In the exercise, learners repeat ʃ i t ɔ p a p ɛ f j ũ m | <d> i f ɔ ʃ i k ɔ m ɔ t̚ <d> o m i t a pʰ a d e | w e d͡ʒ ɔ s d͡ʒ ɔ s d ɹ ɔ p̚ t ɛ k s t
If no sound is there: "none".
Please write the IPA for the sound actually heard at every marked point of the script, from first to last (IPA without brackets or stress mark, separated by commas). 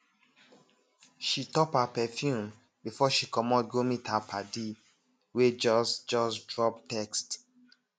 b, ɡ